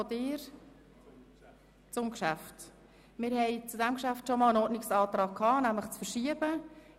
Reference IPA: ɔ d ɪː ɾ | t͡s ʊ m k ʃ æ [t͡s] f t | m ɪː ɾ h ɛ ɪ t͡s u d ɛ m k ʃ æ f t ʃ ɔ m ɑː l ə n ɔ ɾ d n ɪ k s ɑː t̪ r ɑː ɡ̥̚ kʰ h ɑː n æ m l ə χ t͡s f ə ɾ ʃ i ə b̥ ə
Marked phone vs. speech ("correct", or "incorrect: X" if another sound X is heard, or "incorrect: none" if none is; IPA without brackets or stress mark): incorrect: none